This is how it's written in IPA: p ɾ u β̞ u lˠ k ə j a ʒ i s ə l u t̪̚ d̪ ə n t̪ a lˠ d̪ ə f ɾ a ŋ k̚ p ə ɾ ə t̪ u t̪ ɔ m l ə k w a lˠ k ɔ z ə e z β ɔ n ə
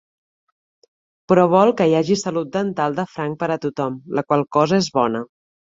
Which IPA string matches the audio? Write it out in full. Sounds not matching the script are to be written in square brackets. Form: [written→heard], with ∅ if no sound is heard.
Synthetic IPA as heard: p ɾ [u→ɔ] β̞ [u→ɔ] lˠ k ə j a ʒ i s ə l u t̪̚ d̪ ə n t̪ a lˠ d̪ ə f ɾ a ŋ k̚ p ə ɾ ə t̪ u t̪ ɔ m l ə k w a lˠ k ɔ z ə e z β ɔ n ə